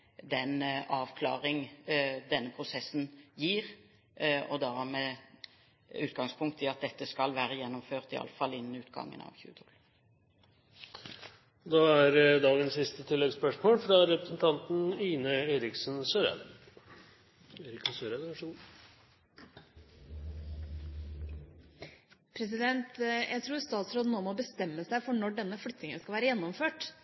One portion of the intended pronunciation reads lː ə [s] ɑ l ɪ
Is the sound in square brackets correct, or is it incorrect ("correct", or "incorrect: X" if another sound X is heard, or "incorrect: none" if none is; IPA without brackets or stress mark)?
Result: incorrect: f